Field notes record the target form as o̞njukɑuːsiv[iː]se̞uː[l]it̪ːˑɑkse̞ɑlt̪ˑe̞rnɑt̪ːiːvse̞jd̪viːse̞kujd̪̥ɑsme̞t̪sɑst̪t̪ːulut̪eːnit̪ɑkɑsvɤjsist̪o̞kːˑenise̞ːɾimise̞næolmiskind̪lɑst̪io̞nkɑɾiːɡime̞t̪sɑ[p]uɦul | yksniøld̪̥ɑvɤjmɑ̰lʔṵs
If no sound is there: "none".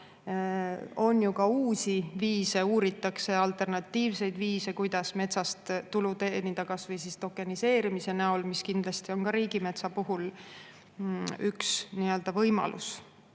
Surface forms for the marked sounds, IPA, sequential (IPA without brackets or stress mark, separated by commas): iː, ɾ, p